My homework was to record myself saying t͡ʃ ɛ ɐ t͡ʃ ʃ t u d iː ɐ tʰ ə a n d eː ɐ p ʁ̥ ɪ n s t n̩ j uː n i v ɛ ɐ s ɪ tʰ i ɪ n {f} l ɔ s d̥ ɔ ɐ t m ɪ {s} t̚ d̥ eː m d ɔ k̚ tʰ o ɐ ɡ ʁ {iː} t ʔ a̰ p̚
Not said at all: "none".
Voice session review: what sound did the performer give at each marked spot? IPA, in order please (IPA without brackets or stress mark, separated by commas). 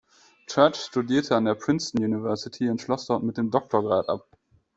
ʃ, none, aː